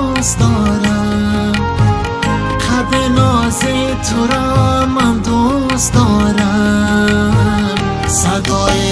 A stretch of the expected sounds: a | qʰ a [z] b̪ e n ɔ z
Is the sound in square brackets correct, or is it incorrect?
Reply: incorrect